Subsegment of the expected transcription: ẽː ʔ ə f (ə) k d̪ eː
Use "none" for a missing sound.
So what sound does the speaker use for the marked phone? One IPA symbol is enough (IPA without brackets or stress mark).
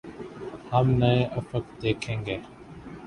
ə